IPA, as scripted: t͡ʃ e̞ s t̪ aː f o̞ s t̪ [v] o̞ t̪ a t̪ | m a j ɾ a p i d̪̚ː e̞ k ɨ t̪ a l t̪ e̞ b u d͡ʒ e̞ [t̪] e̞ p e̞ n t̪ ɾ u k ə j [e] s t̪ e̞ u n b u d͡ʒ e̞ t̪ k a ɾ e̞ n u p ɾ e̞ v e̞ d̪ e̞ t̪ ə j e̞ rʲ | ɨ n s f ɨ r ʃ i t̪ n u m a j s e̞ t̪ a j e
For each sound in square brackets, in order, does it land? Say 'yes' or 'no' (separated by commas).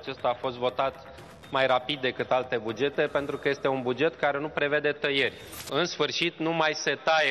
yes, yes, yes